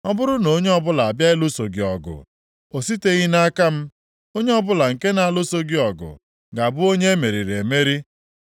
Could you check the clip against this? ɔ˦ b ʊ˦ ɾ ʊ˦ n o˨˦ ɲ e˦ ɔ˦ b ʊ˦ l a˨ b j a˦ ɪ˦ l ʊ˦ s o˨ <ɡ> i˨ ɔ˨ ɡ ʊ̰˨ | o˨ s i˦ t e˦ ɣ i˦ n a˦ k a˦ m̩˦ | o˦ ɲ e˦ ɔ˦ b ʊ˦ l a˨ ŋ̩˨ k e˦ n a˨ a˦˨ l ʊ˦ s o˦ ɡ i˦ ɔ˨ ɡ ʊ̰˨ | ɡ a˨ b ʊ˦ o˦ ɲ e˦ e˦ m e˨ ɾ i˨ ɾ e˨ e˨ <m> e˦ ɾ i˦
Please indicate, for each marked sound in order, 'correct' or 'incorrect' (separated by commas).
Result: correct, correct